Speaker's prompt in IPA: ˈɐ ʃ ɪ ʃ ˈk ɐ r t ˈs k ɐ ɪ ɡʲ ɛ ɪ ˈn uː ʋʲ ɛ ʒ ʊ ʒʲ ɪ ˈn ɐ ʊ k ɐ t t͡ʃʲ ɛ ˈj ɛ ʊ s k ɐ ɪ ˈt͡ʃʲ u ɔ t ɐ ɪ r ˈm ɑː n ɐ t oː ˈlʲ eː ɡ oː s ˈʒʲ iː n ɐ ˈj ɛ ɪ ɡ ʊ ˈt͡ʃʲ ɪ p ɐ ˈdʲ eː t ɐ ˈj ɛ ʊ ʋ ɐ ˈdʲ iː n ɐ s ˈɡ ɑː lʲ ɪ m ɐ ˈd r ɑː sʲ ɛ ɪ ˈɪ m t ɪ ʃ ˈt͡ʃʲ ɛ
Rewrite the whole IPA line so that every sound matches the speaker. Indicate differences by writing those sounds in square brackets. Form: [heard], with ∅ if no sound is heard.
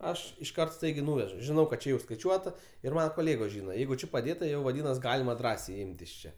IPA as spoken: ˈɐ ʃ ɪ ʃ ˈk ɐ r t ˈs [t] ɐ ɪ ɡʲ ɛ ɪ ˈn uː ʋʲ ɛ ʒ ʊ ʒʲ ɪ ˈn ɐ ʊ k ɐ t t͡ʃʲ ɛ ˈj ɛ ʊ s k ɐ ɪ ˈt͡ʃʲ u ɔ t ɐ ɪ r ˈm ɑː n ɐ [k] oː ˈlʲ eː ɡ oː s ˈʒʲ iː n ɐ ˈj ɛ ɪ ɡ ʊ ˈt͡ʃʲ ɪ p ɐ ˈdʲ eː t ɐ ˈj ɛ ʊ ʋ ɐ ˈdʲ iː n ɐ s ˈɡ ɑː lʲ ɪ m ɐ ˈd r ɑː sʲ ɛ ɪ ˈɪ m t ɪ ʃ ˈt͡ʃʲ ɛ